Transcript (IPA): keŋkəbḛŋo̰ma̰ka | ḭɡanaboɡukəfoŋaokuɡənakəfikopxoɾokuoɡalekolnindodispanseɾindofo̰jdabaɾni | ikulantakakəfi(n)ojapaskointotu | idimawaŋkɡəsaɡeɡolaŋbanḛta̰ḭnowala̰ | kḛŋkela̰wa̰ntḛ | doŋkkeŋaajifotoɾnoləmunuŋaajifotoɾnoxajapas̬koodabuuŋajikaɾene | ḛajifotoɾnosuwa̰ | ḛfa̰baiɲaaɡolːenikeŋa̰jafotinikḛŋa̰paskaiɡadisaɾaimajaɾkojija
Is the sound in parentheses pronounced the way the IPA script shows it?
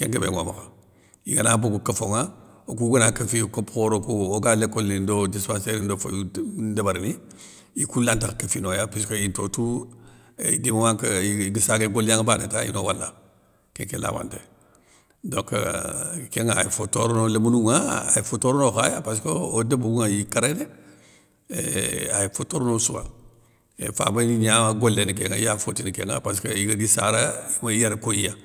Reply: yes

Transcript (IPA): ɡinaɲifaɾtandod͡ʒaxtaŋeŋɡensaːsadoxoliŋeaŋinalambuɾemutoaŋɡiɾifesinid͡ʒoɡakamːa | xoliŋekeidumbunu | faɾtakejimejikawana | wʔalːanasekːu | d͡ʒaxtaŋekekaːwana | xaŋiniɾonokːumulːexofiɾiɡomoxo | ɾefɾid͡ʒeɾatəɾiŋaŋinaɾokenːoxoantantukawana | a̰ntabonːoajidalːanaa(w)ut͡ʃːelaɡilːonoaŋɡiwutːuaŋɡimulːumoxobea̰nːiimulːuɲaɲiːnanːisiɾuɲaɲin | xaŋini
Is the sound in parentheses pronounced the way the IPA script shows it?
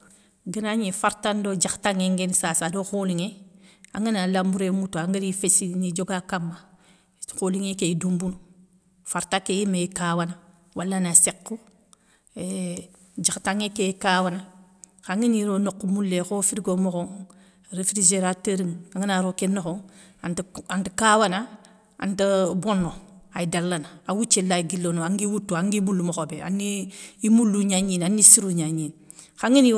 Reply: yes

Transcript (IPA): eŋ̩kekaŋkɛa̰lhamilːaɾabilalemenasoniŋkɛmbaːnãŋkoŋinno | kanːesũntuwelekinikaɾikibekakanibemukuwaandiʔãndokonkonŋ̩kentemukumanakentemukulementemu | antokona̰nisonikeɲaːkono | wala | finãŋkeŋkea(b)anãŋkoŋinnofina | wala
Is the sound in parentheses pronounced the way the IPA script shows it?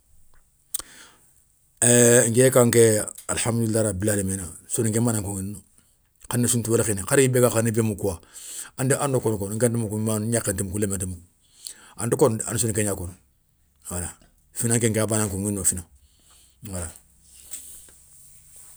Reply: yes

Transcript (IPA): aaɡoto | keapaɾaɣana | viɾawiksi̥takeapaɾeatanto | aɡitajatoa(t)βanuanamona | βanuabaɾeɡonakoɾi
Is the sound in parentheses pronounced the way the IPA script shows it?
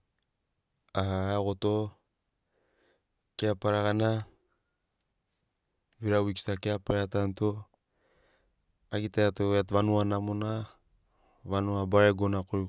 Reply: yes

